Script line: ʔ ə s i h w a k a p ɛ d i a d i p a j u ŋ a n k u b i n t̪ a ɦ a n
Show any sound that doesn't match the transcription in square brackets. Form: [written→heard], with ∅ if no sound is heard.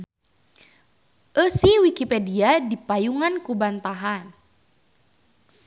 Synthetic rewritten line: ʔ ə s i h w [a→i] k [a→i] p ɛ d i a d i p a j u ŋ a n k u b [i→a] n t̪ a ɦ a n